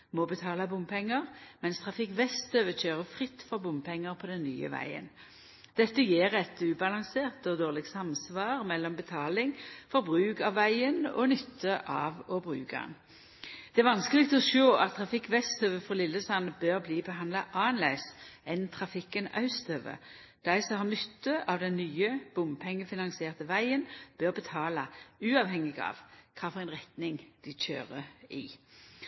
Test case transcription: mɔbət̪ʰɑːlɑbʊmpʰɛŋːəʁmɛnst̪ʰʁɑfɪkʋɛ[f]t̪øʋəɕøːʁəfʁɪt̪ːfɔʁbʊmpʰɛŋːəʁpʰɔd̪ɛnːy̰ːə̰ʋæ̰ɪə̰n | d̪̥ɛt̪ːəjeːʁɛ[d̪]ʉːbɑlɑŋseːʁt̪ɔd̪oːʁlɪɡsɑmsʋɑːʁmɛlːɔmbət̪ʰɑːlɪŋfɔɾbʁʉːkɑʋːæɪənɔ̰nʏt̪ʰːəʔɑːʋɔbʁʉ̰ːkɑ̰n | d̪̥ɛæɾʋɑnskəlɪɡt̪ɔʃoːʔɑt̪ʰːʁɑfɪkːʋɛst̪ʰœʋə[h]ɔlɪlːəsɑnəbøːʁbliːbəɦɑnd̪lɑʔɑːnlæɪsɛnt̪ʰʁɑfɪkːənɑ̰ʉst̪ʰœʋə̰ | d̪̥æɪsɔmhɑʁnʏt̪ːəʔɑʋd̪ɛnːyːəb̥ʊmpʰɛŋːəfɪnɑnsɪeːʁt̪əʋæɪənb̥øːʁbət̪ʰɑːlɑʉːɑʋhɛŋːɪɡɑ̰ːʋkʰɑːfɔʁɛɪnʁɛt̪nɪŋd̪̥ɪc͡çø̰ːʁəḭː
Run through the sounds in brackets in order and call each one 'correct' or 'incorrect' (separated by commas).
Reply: incorrect, incorrect, incorrect